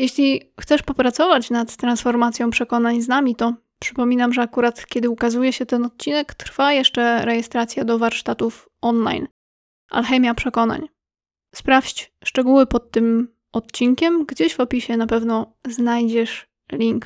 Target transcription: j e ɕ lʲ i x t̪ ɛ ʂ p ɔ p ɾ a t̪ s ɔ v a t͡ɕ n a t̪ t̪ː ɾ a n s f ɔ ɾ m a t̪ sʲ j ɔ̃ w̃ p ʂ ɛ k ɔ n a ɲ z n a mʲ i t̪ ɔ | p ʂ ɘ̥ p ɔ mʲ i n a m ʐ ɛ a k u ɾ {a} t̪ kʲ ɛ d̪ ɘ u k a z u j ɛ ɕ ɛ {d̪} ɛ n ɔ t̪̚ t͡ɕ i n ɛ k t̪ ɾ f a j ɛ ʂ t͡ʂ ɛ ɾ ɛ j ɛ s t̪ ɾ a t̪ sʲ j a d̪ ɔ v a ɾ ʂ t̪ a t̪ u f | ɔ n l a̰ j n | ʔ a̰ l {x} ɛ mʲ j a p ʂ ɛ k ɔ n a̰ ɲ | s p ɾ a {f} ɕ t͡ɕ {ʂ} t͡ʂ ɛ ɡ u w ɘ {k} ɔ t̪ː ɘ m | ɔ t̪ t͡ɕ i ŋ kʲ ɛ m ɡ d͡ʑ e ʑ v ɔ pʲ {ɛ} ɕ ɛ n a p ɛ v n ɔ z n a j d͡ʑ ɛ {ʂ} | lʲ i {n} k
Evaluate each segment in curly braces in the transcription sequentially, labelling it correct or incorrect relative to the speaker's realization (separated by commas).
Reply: correct, incorrect, correct, correct, correct, incorrect, incorrect, correct, incorrect